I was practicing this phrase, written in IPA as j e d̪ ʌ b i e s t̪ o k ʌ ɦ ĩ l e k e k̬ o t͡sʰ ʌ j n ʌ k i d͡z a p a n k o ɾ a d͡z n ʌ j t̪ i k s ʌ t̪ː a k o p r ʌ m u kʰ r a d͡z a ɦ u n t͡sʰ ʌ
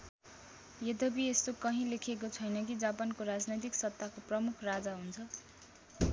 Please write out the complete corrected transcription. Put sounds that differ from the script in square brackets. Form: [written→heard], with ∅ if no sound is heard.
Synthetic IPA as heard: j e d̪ ʌ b i e s t̪ o k ʌ ɦ ĩ l e [k→kʰ] e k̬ o t͡sʰ ʌ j n ʌ k i d͡z a p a n k o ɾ a d͡z n ʌ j t̪ i k s ʌ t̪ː a k o p r ʌ m u kʰ r a d͡z a ɦ u n t͡sʰ ʌ